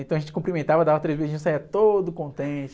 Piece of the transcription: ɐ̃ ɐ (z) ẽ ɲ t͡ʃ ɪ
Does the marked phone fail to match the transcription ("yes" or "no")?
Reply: yes